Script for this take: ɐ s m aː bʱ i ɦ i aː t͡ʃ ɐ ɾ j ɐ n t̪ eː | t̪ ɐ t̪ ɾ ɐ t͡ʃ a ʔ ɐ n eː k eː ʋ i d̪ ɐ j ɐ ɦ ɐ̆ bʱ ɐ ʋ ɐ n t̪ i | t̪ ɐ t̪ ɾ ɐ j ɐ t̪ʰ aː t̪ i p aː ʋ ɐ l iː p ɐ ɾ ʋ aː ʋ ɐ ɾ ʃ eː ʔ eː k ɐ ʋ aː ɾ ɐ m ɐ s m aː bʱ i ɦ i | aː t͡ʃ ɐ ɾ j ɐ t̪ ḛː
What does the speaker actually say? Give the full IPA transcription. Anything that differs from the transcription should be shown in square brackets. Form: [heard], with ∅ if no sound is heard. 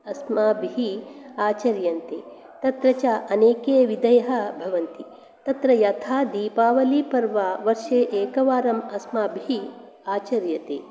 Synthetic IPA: ɐ s m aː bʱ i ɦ i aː t͡ʃ ɐ ɾ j ɐ n t̪ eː | t̪ ɐ t̪ ɾ ɐ t͡ʃ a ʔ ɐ n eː k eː ʋ i d̪ ɐ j ɐ ɦ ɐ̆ bʱ ɐ ʋ ɐ n t̪ i | t̪ ɐ t̪ ɾ ɐ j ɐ t̪ʰ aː [d̪] i p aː ʋ ɐ l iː p ɐ ɾ ʋ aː ʋ ɐ ɾ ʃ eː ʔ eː k ɐ ʋ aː ɾ ɐ m ɐ s m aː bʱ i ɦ i | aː t͡ʃ ɐ ɾ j ɐ t̪ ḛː